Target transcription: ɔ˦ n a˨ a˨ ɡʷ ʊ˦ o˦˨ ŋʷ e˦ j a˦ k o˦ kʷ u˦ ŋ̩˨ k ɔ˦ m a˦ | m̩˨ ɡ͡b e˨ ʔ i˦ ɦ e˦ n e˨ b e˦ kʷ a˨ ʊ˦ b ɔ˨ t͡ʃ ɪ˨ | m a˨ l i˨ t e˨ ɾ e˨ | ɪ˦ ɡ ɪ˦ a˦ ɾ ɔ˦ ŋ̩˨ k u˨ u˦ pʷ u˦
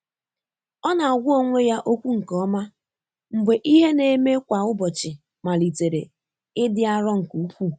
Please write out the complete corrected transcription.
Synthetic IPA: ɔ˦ n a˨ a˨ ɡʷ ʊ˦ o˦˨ ŋʷ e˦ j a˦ ʔ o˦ kʷ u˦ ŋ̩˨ k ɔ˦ m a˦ | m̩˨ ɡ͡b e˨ ʔ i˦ ɦ e˦ n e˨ m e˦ kʷ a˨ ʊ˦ b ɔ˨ t͡ʃ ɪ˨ | m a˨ l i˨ t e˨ ɾ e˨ | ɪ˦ d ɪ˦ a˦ ɾ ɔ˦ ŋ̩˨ k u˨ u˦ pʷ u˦

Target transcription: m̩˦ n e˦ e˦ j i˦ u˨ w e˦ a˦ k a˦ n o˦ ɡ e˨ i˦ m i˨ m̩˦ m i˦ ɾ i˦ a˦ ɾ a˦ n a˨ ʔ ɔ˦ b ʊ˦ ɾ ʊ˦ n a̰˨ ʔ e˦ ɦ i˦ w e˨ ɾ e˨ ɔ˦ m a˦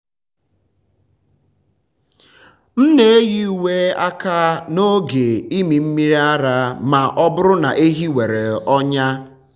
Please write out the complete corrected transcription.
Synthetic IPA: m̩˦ n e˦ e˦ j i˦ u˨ w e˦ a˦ k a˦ n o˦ ɡ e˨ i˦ m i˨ m̩˦ m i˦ ɾ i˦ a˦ ɾ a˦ m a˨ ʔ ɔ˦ b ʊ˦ ɾ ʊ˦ n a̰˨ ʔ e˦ ɦ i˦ w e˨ ɾ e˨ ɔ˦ ɲ a˦

